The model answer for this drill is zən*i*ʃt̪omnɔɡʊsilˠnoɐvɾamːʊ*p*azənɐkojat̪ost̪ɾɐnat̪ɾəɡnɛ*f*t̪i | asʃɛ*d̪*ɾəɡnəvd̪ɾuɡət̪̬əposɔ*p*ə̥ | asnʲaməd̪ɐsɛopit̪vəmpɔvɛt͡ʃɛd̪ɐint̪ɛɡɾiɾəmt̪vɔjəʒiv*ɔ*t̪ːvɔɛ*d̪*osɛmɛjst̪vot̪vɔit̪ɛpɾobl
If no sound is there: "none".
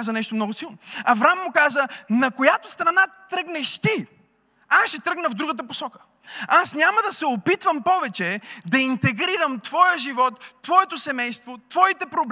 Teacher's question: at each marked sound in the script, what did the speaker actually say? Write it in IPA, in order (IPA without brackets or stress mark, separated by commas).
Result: ɛ, k, ʃ, t̪, k, ɔ, t̪